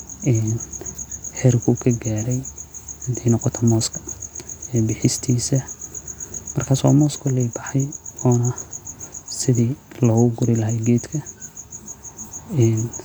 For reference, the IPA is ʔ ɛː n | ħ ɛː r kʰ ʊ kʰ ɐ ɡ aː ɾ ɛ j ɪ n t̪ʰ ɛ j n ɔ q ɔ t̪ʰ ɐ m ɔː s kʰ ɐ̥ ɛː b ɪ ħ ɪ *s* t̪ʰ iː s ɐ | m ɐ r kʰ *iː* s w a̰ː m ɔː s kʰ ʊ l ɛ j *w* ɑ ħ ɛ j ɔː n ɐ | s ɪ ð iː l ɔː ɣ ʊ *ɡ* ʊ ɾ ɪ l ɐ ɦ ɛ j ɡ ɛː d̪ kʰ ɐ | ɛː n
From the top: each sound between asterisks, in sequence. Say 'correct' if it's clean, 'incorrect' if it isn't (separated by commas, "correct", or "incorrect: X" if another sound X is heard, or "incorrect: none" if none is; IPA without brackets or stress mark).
correct, incorrect: aː, incorrect: b, correct